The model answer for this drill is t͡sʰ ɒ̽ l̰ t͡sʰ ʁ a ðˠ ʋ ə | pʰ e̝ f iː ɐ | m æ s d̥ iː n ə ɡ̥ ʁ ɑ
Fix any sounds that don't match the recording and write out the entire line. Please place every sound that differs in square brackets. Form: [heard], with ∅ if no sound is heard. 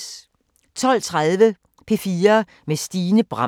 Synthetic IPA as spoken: t͡sʰ ɒ̽ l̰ t͡sʰ ʁ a ðˠ ʋ ə | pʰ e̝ f iː ɐ | m [e] s d̥ iː n ə [b̥] ʁ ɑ